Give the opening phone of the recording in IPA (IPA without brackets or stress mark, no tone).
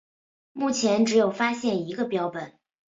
m